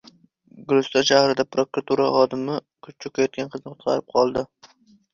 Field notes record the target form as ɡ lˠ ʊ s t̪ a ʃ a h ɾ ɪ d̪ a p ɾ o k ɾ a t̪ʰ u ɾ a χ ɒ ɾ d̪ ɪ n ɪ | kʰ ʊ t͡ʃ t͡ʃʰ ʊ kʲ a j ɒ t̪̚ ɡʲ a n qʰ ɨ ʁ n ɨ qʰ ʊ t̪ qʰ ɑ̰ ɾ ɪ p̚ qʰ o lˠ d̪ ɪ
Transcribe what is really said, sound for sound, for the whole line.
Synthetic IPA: ɡ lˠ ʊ s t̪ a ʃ a h ɾ ɪ d̪ a p ɾ o k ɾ a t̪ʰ u ɾ a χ ɒ d̪ ɪ m ɪ | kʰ ʊ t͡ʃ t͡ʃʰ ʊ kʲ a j ɒ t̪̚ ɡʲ a n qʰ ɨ z n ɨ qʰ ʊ t̪ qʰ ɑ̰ ɾ ɪ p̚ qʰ ɒ lˠ d̪ ɪ

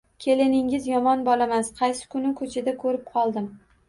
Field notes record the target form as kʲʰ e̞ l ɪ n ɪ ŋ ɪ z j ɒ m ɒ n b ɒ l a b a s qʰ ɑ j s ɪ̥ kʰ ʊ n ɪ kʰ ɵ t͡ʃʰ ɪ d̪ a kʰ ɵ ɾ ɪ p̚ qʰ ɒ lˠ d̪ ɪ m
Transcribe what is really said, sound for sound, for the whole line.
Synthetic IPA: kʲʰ e̞ l ɪ n ɪ ŋ ɪ z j ɒ m ɒ n b ɒ l a m a s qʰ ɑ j s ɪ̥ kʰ ʊ n ɪ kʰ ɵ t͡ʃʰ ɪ d̪ a kʰ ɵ ɾ ɪ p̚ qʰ ɒ lˠ d̪ ɪ m

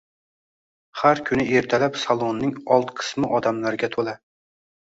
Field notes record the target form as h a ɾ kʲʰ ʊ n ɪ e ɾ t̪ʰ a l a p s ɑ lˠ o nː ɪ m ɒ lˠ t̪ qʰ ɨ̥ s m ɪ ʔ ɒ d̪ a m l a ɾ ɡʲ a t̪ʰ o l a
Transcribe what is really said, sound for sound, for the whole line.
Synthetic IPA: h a ɾ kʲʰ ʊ n ɪ e ɾ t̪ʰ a l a p s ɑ lˠ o nː ɪ ŋ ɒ lˠ t̪ qʰ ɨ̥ s m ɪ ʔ ɒ d̪ a m l a ɾ ɡʲ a t̪ʰ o l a

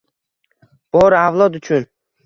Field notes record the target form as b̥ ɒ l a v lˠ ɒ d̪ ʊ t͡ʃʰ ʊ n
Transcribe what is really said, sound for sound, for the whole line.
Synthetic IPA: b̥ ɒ ɾ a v lˠ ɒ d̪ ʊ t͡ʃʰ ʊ n

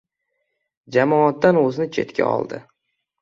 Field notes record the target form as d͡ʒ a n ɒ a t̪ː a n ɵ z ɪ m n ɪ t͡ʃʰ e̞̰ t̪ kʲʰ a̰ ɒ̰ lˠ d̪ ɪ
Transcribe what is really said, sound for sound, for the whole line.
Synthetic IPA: d͡ʒ a m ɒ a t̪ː a n ɵ z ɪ n ɪ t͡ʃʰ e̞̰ t̪ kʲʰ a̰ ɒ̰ lˠ d̪ ɪ

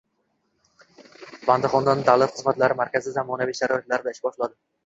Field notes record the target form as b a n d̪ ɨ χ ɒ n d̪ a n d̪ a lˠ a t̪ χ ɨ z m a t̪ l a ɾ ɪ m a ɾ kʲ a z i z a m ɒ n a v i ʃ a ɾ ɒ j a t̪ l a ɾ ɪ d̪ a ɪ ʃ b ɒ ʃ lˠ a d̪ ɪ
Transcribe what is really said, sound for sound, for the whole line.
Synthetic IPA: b a n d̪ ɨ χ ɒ n d̪ a n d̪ a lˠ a t̪ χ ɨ z m a t̪ l a ɾ ɪ m a ɾ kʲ a z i z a m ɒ n a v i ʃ a ɾ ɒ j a t̪ l a ɾ ɪ d̪ a ɪ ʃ b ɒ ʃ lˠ a d̪ ɪ

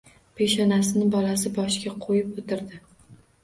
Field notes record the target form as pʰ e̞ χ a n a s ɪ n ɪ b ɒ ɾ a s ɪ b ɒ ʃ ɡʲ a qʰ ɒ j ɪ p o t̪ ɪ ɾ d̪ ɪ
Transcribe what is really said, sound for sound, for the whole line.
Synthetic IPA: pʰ e̞ ʃ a n a s ɪ n ɪ b ɒ l a s ɪ b ɒ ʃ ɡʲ a qʰ o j ɪ p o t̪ ɪ ɾ d̪ ɪ

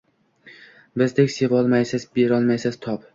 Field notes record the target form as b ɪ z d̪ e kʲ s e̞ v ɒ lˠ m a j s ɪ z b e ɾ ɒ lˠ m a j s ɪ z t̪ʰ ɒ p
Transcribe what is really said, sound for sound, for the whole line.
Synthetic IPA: b ɪ z d̪ e kʲ s e̞ v ɒ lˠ m a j s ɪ z b e ɾ ɒ lˠ m a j s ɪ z t̪ʰ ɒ p

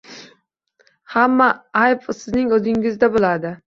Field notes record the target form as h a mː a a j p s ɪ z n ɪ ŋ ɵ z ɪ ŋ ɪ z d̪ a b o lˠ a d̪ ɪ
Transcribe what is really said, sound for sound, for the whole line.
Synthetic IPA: h a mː a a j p s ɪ z n ɪ ŋ ɵ z ɪ ŋ ɪ z d̪ a b o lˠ a d̪ ɪ

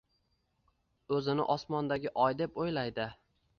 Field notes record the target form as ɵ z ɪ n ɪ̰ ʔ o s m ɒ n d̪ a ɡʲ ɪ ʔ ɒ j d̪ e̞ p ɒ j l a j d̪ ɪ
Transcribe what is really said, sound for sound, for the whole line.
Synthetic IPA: ɵ z ɪ n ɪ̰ ʔ ɒ s m ɒ n d̪ a ɡʲ ɪ ʔ ɒ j d̪ e̞ p o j l a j d̪ ɪ

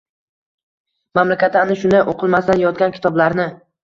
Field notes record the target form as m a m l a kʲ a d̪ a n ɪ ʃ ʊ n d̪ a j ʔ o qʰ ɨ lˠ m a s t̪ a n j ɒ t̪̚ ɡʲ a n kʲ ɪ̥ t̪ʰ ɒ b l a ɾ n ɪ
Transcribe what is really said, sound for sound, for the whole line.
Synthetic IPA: m a m l a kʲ a t̪ a n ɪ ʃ ʊ n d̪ a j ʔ o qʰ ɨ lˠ m a s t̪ a n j ɒ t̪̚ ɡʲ a n kʲ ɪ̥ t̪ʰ ɒ b l a ɾ n ɪ

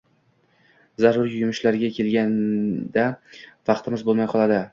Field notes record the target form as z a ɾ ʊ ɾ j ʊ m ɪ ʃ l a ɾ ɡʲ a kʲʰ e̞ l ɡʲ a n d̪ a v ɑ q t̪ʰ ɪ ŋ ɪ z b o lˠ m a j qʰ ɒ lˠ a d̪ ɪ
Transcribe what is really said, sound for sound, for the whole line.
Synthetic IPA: z a ɾ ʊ ɾ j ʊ m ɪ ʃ l a ɾ ɡʲ a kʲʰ e̞ l ɡʲ a n d̪ a v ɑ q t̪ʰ ɪ m ɪ z b o lˠ m a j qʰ ɒ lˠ a d̪ ɪ

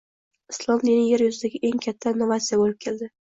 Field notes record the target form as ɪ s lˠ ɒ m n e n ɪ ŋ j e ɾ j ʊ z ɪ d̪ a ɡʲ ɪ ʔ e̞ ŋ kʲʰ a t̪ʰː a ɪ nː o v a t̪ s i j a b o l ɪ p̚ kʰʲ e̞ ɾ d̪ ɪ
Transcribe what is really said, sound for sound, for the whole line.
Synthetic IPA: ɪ s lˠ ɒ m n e n ɪ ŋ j e ɾ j ʊ z ɪ d̪ a ɡʲ ɪ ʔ e̞ ŋ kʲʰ a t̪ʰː a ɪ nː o v a t̪ s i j a b o l ɪ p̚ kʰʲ e̞ l d̪ ɪ

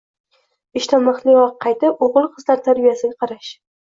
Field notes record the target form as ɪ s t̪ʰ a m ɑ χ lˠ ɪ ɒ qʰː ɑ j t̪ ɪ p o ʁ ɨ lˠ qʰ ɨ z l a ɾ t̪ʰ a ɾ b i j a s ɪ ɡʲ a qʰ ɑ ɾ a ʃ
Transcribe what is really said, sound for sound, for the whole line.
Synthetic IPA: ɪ ʃ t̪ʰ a m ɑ χ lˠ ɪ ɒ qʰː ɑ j t̪ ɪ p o ʁ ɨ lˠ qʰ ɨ z l a ɾ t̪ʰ a ɾ b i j a s ɪ ɡʲ a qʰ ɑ ɾ a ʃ

